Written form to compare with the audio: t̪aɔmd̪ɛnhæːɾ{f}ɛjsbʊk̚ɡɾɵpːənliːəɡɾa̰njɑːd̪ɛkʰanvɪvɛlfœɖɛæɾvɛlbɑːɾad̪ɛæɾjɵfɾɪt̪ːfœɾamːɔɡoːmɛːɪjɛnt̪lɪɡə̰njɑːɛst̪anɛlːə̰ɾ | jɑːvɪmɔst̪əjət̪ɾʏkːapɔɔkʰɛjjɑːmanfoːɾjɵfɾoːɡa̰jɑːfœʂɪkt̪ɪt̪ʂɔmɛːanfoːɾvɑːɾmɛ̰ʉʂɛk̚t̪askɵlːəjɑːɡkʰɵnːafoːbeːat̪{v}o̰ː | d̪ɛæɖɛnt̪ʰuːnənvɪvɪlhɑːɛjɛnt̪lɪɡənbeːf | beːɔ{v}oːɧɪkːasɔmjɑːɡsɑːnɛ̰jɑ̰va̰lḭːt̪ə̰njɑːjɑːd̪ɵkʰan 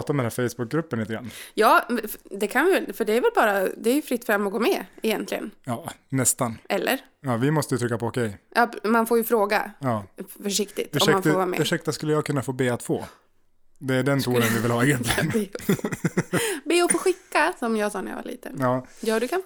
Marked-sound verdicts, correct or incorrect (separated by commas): correct, incorrect, incorrect